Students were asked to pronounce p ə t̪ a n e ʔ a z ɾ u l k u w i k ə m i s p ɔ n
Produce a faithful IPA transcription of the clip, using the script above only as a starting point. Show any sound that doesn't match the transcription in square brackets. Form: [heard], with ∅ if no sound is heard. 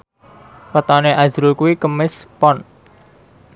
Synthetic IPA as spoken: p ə t̪ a n e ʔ a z ɾ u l k u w i k ə m [ɪ] s p ɔ n